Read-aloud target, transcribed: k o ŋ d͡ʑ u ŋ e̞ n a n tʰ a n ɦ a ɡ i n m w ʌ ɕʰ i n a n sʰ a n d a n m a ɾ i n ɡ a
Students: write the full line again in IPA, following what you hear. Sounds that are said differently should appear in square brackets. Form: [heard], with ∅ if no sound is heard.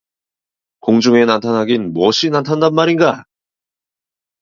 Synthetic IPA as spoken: k o ŋ d͡ʑ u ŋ e̞ n a n tʰ a n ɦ a ɡ i n m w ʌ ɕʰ i n a n [tʰ] a n d a n m a ɾ i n ɡ a